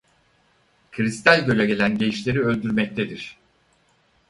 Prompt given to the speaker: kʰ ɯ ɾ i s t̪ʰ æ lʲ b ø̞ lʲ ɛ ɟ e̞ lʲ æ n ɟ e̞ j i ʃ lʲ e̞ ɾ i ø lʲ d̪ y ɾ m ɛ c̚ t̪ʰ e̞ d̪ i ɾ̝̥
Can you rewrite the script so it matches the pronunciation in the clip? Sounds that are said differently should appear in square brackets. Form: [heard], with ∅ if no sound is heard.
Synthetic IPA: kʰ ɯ ɾ i s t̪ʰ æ lʲ [ɟ] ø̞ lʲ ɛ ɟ e̞ lʲ æ n ɟ e̞ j i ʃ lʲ e̞ ɾ i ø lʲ d̪ y ɾ m ɛ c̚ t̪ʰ e̞ d̪ i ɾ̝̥